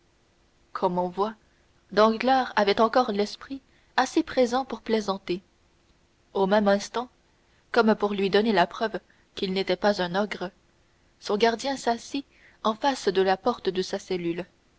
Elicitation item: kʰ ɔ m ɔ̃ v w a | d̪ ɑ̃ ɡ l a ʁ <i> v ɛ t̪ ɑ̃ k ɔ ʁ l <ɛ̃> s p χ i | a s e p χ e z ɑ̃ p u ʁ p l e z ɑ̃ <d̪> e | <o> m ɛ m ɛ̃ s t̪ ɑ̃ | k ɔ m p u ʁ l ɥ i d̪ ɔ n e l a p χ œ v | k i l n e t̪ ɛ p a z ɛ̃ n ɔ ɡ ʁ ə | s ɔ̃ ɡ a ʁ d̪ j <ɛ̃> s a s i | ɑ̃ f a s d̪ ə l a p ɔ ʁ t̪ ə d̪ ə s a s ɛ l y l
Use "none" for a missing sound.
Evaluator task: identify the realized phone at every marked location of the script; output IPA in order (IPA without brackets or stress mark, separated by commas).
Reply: a, ɛ, t̪, o, ɛ̃